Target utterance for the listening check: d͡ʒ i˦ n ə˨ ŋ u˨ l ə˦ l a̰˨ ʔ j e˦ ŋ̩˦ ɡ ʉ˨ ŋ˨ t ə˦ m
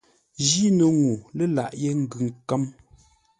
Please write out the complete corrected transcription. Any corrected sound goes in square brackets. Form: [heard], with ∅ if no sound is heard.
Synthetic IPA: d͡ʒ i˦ n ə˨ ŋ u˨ l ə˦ l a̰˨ ʔ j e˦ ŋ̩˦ ɡ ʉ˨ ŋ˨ [k] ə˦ m